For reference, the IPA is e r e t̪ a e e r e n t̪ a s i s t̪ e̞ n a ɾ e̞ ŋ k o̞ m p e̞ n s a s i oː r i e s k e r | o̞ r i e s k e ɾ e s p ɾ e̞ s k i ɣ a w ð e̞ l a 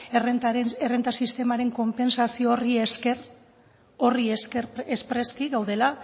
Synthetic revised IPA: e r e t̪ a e e r e n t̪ a s i s t̪ e̞ m a ɾ e̞ ŋ k o̞ m p e̞ n s a s i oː r i e s k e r | o̞ r i e s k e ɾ e s p ɾ e̞ s k i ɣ a w ð e̞ l a